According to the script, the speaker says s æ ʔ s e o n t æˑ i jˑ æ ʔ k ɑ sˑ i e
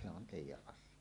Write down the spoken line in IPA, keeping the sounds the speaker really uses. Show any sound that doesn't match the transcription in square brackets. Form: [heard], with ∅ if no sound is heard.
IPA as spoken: s [e] ʔ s e o n t [eˑ] i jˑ æ ʔ [ʔ] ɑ sˑ i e